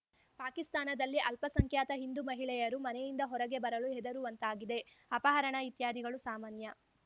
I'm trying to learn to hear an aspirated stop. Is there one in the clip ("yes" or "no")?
no